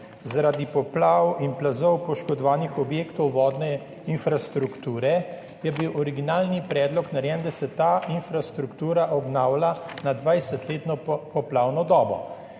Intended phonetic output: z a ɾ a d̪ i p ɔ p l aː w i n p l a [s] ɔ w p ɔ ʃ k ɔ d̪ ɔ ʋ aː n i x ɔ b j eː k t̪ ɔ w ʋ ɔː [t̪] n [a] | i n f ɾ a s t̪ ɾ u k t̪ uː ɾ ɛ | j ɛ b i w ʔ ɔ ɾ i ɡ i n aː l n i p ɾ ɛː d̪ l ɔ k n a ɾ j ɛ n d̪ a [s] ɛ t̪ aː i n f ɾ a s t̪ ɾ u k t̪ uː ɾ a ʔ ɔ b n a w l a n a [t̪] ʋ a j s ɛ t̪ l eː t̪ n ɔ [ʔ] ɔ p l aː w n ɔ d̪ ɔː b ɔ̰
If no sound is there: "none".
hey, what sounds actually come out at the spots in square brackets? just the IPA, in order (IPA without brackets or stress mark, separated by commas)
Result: z, d̪, ɛ, s, d̪, p